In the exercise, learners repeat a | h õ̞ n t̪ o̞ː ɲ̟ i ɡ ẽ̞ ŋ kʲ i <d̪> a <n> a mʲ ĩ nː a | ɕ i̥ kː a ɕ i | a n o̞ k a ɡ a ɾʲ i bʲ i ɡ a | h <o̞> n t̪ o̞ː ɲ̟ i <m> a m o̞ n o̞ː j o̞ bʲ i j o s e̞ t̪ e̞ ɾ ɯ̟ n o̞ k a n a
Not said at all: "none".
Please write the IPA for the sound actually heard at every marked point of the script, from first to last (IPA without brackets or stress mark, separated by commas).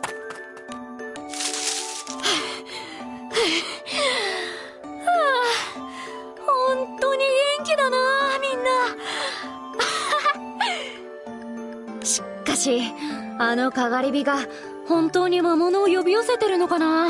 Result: d̪, n, õ̞, m